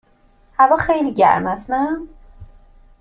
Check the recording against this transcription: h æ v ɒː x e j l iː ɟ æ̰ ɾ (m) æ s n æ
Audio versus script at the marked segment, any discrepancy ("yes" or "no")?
no